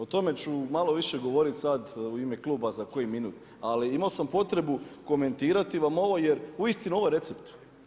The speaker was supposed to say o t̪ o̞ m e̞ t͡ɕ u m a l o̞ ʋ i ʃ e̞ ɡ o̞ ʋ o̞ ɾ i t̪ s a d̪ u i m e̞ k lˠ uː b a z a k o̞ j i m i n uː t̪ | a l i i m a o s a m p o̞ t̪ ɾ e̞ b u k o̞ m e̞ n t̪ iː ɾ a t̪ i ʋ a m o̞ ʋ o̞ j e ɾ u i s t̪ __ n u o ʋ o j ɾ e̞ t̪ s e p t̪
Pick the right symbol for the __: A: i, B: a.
A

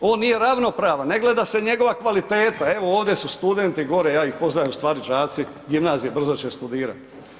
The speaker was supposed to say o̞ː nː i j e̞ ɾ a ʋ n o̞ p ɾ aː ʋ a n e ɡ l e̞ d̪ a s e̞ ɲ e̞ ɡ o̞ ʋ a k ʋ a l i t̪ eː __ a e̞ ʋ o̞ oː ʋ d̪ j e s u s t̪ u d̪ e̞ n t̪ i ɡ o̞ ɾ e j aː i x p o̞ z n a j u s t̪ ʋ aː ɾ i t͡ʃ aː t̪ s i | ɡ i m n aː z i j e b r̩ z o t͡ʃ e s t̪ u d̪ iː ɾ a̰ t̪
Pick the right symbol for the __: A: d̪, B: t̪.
B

